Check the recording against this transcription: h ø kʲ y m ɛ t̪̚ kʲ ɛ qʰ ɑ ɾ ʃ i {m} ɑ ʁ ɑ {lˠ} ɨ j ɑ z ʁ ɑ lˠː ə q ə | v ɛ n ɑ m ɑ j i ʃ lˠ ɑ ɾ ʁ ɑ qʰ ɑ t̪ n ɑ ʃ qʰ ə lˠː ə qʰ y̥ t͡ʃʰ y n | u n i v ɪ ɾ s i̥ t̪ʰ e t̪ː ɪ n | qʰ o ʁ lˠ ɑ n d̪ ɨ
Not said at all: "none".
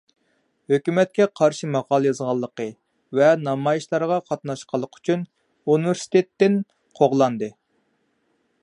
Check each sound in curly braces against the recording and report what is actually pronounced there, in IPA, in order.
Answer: m, lˠ

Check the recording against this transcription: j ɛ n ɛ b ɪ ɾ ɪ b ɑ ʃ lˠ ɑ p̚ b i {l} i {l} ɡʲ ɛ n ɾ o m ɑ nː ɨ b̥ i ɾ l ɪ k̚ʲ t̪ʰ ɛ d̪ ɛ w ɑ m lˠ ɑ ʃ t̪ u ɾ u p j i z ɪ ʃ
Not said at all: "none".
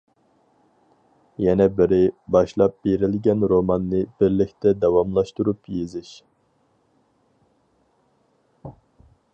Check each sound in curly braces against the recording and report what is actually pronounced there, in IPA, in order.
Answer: ɾ, l

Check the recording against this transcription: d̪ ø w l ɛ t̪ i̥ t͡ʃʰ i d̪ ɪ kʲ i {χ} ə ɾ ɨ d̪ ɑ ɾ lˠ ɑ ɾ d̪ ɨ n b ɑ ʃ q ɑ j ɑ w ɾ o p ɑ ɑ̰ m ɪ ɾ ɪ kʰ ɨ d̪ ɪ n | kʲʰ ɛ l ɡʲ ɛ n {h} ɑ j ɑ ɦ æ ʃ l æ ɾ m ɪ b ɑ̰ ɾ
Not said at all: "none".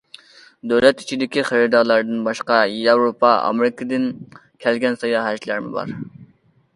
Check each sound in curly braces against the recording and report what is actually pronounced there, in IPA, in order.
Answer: χ, s

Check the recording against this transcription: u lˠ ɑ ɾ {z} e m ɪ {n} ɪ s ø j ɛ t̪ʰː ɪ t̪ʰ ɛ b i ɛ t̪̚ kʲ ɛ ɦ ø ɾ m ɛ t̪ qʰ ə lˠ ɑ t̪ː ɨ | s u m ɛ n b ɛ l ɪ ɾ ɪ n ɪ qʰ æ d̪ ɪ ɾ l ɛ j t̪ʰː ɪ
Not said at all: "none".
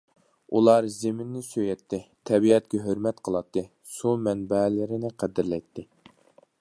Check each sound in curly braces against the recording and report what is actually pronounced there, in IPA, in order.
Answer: z, nː

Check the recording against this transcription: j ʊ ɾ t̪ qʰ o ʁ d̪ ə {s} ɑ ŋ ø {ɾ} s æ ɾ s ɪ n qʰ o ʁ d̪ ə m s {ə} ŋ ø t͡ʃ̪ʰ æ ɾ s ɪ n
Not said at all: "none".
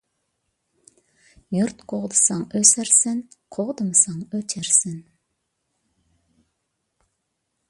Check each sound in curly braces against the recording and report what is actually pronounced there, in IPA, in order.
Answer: s, none, ɑ

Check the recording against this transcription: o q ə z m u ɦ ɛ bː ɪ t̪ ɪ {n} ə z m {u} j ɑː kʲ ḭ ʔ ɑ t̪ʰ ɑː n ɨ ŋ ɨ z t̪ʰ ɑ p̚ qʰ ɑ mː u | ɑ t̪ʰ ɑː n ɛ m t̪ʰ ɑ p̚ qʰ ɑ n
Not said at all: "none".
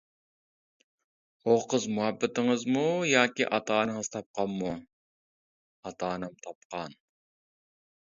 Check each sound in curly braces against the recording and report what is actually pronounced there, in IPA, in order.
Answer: ŋ, u

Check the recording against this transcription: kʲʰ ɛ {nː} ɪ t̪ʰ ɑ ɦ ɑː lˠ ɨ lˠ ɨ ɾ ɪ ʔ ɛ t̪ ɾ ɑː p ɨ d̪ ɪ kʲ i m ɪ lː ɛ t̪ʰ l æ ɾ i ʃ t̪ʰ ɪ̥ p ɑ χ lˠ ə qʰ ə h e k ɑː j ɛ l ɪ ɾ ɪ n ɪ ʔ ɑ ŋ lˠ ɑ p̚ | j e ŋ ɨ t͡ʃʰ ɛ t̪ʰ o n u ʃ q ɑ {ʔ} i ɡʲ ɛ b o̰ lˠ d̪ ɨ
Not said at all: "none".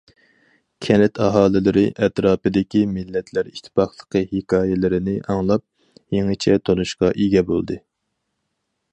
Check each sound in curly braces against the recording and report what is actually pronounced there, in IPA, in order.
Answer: n, ʔ

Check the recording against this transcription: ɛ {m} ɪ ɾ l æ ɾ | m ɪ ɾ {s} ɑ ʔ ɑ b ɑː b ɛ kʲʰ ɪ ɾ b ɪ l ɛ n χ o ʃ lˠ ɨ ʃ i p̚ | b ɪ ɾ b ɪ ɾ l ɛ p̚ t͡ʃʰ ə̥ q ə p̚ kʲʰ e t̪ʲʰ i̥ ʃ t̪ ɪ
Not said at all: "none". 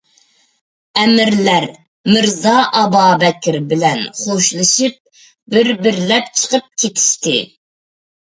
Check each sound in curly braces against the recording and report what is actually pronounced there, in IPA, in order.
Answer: m, z

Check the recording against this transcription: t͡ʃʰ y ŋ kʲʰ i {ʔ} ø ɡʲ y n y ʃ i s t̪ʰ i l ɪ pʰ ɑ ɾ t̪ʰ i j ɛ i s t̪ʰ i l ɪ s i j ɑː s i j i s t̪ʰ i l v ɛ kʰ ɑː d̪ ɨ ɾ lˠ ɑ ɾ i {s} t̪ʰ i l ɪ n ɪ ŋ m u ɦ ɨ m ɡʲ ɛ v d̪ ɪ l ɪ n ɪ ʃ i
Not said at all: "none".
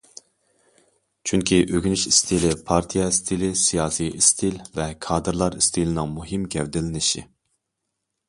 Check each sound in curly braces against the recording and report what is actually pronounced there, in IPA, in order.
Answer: ʔ, s

